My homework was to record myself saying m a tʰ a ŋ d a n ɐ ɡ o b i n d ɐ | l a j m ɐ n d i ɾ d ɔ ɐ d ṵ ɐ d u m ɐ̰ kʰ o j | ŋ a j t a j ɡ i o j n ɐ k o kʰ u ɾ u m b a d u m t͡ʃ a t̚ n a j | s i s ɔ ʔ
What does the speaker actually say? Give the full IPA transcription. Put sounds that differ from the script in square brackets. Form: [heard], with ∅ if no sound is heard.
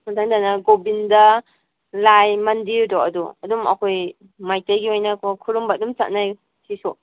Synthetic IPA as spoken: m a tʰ a ŋ d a n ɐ ɡ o b i n d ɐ | l a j m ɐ n d i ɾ d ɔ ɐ d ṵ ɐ d u m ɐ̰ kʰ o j | [m] a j t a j ɡ i o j n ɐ k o kʰ u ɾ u m b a d u m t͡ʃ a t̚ n a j | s i s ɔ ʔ

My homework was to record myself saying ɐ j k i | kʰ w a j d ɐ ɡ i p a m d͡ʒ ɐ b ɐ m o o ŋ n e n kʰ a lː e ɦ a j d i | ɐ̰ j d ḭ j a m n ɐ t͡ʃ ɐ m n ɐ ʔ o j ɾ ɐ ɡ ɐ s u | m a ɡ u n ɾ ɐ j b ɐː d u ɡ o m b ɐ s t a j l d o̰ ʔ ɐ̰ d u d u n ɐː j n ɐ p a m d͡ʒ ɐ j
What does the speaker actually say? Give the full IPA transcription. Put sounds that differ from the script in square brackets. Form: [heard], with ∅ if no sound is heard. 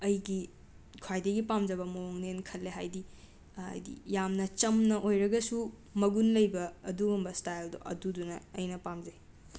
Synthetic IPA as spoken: ɐ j [ɡ] i | kʰ w a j d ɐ ɡ i p a m d͡ʒ ɐ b ɐ m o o ŋ n e n kʰ [ɐ] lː e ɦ a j d i | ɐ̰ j d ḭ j a m n ɐ t͡ʃ ɐ m n ɐ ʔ o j ɾ ɐ ɡ ɐ s u | m [ɐ] ɡ u n [l] ɐ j b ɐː d u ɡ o m b ɐ s t a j l d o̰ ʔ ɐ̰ d u d u n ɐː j n ɐ p a m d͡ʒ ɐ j

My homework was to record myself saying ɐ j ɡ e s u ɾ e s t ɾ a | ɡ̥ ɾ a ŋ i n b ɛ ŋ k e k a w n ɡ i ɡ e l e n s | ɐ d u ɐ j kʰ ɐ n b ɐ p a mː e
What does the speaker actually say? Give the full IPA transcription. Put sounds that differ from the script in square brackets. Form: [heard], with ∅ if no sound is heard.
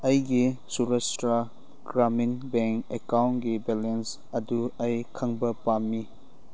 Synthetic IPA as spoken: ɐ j ɡ [i] s u ɾ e s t ɾ a | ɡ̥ ɾ a [m] i n b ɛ ŋ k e k a w n ɡ i [b] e l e n s | ɐ d u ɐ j kʰ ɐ [ŋ] b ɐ p a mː [i]

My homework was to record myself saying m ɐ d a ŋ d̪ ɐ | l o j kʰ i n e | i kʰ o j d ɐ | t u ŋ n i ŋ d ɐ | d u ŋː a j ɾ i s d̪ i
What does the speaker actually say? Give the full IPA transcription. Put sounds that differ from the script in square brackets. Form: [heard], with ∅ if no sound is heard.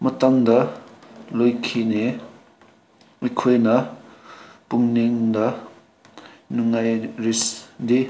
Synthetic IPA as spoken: m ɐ [t] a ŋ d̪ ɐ | l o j kʰ i n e | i kʰ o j [n] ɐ | [p] u ŋ n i ŋ d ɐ | [n] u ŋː a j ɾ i s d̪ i

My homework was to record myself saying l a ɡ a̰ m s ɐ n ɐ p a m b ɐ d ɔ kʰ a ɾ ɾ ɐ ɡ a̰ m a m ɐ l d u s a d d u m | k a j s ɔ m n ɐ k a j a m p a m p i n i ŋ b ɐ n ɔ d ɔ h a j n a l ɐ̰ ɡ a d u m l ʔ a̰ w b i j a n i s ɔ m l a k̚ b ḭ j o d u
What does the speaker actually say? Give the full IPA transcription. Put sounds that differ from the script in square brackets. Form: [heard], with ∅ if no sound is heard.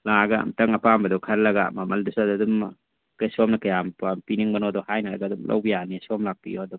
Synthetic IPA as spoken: l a ɡ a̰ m [t] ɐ [ŋ] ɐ p a m b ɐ d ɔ kʰ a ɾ [l] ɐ ɡ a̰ m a m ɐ l d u s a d d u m | k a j s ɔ m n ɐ k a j a m p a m p i n i ŋ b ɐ n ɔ d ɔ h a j n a l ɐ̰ ɡ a d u m l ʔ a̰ w b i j a n i s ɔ m l a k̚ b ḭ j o d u

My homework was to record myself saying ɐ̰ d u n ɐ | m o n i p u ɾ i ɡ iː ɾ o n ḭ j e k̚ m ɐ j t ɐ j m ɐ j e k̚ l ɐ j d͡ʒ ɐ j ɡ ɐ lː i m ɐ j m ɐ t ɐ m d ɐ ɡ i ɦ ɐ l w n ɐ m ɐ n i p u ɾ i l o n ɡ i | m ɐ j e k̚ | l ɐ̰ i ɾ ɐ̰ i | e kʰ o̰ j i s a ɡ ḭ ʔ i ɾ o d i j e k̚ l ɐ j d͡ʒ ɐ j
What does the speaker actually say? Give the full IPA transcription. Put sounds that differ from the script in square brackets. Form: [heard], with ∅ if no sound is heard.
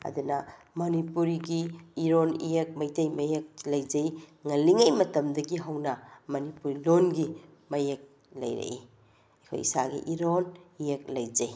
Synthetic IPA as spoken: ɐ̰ d u n ɐ | m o n i p u ɾ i ɡ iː ɾ o n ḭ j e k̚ m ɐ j t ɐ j m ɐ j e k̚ l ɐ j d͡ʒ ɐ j [ŋ] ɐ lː i [ŋ] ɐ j m ɐ t ɐ m d ɐ ɡ i ɦ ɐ [∅] w n ɐ m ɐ n i p u ɾ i l o n ɡ i | m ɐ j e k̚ | l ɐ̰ [j] ɾ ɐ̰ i | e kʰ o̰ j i s a ɡ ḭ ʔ i ɾ o [n] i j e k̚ l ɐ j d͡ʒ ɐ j

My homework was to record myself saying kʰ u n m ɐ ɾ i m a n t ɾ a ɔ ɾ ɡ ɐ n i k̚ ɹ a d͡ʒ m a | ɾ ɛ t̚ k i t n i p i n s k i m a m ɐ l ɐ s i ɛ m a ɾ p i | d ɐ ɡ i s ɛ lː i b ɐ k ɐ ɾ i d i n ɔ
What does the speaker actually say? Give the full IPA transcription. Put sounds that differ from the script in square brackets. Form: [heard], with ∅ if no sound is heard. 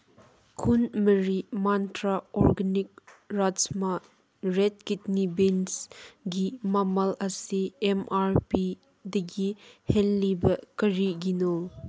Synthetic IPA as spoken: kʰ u n m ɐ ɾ i m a n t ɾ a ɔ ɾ ɡ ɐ n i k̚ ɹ a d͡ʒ m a | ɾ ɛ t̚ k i t n i [b] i n s [ɡ] i m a m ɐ l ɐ s i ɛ m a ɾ p i | d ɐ ɡ i [h] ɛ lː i b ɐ k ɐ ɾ i [ɡ] i n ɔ

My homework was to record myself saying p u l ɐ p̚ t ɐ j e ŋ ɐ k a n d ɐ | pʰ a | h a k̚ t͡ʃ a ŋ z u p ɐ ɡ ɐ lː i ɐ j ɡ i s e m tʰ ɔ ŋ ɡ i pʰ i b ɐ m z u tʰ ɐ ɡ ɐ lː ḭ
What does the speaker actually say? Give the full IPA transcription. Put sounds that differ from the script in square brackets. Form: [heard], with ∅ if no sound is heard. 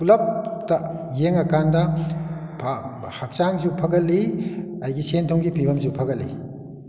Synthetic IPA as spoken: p u l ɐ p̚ t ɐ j e ŋ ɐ k a n d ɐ | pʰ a | h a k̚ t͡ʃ a ŋ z u [pʰ] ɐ ɡ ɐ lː i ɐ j ɡ i s e [n] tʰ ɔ ŋ ɡ i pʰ i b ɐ m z u [pʰ] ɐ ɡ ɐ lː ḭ

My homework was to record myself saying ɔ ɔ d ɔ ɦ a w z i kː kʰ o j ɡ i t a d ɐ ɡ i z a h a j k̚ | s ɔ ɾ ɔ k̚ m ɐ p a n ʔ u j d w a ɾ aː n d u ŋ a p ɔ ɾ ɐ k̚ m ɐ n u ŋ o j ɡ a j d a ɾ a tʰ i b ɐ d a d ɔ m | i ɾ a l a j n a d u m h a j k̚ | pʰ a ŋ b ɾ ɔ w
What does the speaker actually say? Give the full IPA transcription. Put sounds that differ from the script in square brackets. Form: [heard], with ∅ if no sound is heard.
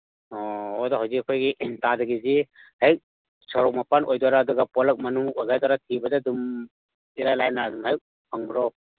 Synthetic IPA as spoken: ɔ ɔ d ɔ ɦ a w z i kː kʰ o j ɡ i t a d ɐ ɡ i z [i] h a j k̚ | s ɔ ɾ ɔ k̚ m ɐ p a n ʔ [o] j d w a ɾ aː [∅] d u [ɡ] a p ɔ [l] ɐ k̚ m ɐ n u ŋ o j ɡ a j d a ɾ a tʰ i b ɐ d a d [u] m | i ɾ a l a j n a d u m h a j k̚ | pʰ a ŋ b ɾ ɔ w

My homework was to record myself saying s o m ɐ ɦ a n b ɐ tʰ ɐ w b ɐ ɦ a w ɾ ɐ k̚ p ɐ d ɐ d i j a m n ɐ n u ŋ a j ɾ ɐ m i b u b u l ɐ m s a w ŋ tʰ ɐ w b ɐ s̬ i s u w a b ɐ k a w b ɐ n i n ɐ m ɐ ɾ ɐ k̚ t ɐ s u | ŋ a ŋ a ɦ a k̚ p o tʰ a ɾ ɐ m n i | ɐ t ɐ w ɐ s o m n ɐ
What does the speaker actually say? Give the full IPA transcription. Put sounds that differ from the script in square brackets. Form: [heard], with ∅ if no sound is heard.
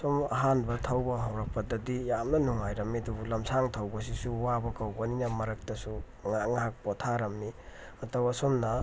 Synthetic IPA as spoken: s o m ɐ ɦ a n b ɐ tʰ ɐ w b ɐ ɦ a w ɾ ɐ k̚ p ɐ d ɐ d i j a m n ɐ n u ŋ a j ɾ ɐ m i [d] u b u l ɐ m s a [∅] ŋ tʰ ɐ w b ɐ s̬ i s u w a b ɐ k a w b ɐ n i n ɐ m ɐ ɾ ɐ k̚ t ɐ s u | ŋ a ŋ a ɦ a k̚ p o tʰ a ɾ ɐ m n i | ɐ t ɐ w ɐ s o m n ɐ

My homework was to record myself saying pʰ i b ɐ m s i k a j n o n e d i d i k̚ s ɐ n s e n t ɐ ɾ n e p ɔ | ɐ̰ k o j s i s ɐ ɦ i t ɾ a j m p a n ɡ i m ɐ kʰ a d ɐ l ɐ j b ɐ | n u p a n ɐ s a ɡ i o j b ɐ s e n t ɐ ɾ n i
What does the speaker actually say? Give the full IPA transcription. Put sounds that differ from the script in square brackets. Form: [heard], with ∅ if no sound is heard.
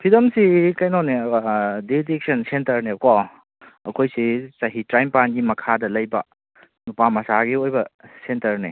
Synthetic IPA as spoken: pʰ i [d] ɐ m s i k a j n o n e d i d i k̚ s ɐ n s e n t ɐ ɾ n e [k] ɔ | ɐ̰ [kʰ] o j s i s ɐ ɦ i t ɾ a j m p a n ɡ i m ɐ kʰ a d ɐ l ɐ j b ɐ | n u p a [m] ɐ s a ɡ i o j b ɐ s e n t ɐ ɾ n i

